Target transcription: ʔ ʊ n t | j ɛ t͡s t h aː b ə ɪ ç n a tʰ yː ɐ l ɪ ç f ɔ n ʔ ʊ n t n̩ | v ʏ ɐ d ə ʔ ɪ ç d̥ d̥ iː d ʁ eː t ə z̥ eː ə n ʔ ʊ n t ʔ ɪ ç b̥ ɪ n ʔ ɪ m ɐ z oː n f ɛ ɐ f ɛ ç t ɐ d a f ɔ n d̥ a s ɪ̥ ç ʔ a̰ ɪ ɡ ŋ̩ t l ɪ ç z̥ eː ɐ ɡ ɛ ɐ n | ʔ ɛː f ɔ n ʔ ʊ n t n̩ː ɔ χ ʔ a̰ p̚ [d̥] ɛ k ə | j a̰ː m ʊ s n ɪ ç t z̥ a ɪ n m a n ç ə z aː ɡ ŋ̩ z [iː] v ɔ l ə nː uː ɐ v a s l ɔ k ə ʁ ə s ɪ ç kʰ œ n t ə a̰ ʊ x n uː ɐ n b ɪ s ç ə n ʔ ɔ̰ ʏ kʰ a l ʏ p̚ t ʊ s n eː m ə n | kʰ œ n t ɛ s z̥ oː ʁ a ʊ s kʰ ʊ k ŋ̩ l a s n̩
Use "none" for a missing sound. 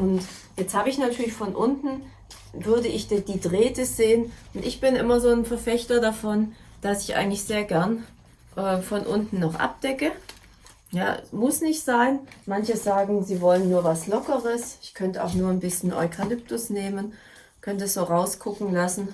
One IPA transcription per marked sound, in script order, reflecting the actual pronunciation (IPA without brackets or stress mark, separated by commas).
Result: d̥, iː